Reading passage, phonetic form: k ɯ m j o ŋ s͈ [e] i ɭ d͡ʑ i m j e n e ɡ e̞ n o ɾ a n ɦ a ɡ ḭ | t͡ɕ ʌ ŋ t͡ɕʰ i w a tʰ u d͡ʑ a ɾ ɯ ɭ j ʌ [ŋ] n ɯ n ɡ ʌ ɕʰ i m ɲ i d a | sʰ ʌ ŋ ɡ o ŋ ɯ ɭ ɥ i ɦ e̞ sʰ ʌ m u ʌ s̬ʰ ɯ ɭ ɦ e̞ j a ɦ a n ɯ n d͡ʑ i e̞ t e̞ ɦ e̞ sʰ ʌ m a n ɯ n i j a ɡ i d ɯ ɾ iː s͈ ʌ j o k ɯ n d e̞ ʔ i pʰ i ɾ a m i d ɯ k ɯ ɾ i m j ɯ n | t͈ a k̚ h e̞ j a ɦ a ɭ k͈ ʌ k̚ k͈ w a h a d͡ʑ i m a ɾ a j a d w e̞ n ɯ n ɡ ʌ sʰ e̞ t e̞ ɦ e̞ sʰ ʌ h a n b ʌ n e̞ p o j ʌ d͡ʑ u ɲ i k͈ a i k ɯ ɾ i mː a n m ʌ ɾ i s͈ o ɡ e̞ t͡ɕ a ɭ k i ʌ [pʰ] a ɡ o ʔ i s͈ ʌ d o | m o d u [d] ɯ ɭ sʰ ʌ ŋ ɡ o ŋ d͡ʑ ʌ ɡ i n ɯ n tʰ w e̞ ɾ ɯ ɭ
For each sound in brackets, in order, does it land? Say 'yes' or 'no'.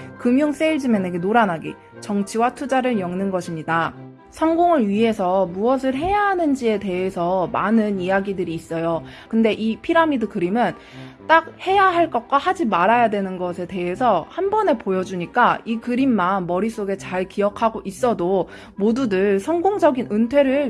yes, yes, no, yes

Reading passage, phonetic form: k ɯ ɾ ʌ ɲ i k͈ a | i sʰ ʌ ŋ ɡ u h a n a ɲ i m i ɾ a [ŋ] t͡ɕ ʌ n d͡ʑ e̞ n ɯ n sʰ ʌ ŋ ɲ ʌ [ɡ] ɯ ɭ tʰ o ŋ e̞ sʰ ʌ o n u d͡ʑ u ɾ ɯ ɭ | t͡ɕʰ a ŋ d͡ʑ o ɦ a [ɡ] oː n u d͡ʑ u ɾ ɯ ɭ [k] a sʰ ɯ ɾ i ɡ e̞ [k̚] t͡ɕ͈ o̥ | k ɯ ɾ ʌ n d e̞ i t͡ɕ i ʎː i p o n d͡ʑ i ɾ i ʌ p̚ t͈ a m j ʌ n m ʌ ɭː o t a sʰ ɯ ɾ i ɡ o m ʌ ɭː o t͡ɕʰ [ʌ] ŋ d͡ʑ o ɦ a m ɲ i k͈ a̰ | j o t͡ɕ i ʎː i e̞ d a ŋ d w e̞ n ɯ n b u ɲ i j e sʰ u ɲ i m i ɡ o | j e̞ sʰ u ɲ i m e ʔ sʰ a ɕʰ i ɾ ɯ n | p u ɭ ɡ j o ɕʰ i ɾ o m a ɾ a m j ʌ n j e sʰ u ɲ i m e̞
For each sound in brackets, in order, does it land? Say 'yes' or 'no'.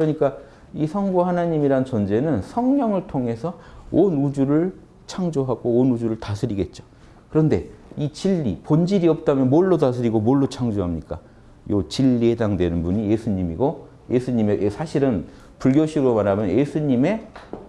no, no, yes, no, no, no

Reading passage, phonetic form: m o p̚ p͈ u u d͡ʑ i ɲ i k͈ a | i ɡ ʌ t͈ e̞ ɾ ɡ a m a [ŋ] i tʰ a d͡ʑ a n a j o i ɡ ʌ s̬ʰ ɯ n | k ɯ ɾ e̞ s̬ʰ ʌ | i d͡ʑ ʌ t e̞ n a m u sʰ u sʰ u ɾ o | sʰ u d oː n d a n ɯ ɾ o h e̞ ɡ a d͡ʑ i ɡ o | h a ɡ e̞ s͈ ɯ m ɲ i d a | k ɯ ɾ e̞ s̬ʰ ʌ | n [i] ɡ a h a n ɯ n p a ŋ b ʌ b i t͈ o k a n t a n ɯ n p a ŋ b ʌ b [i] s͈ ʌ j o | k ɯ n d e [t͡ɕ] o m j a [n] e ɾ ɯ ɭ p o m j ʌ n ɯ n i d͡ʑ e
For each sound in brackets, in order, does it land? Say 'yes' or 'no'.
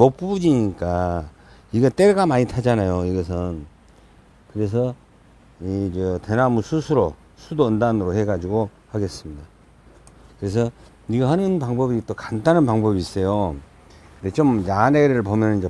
no, yes, no, yes, yes

